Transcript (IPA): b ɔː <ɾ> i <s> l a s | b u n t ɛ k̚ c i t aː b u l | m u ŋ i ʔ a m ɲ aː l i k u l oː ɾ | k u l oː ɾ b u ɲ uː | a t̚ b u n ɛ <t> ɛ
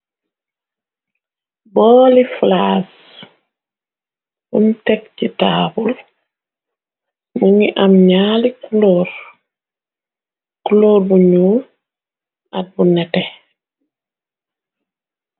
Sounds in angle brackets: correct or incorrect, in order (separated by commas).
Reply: incorrect, incorrect, correct